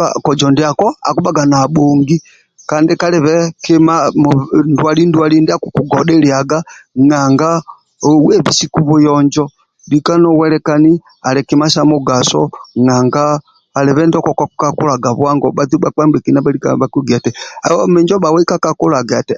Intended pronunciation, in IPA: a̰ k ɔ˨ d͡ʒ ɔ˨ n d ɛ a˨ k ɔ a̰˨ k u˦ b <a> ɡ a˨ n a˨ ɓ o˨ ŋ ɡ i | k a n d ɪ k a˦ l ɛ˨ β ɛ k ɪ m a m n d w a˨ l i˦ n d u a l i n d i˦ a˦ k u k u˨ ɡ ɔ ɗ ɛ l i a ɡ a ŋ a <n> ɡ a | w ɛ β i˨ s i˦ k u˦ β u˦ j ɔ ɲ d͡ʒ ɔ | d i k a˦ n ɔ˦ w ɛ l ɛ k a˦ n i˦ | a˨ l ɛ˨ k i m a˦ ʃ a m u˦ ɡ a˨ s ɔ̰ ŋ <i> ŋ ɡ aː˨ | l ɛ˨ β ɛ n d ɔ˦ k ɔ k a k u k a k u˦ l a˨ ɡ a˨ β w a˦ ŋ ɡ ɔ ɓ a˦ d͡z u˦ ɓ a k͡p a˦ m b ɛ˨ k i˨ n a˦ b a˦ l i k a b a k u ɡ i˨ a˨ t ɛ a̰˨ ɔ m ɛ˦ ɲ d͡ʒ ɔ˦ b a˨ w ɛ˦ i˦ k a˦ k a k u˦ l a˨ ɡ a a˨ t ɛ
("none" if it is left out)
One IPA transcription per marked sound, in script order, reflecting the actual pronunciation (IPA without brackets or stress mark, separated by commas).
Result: a, ŋ, a